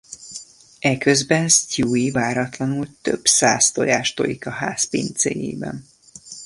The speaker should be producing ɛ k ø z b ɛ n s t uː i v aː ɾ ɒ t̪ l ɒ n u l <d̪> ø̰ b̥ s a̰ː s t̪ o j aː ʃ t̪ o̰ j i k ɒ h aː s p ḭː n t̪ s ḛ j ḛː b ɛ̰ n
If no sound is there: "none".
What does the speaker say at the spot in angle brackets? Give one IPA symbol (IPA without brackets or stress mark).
t̪